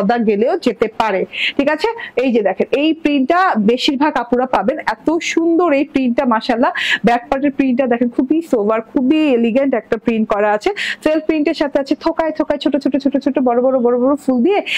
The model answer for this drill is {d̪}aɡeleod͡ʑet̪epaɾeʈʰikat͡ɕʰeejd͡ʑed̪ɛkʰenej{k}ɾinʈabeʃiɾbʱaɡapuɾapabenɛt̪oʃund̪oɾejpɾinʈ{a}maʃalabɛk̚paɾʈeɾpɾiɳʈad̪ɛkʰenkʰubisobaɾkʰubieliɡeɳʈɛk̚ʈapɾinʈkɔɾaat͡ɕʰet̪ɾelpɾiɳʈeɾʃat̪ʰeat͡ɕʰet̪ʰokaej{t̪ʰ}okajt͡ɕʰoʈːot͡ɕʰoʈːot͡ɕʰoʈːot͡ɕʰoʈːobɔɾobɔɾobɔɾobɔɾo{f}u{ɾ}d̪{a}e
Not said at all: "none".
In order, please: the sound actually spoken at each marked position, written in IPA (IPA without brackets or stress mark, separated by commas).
d̪, p, a, t̪ʰ, f, l, i